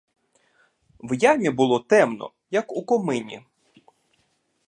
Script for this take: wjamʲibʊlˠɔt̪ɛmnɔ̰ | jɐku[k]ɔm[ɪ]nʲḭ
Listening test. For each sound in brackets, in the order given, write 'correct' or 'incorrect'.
correct, correct

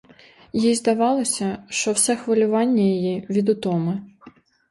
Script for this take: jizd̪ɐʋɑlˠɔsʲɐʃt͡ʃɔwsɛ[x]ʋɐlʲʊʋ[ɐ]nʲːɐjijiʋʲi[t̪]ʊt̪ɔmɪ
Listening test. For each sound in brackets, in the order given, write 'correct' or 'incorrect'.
correct, incorrect: ɑ, incorrect: d̪

